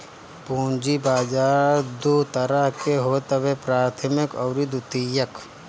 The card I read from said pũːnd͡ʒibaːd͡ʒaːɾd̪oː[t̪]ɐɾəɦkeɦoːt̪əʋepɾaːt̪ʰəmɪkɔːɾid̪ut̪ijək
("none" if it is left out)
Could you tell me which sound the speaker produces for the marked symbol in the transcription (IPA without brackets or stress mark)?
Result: t̪